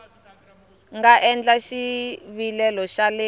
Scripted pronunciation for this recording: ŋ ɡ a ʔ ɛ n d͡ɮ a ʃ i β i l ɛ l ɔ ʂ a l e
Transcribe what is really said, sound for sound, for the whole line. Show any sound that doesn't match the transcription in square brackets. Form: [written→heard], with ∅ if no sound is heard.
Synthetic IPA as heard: ŋ ɡ a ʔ ɛ n d͡ɮ a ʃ i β i l ɛ l ɔ [ʂ→ʃ] a l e